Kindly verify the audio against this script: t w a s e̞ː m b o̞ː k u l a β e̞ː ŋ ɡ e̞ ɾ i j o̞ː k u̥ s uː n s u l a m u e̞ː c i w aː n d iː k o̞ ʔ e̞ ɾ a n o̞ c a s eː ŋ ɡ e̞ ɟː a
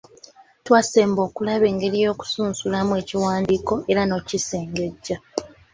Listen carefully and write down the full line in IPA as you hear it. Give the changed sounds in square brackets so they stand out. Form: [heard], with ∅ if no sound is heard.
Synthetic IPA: t w a s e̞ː m b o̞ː k u l a β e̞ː ŋ ɡ e̞ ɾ i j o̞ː k u̥ s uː n s u l a m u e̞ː c i w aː n d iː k o̞ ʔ e̞ ɾ a n o̞ c [i] s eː ŋ ɡ e̞ ɟː a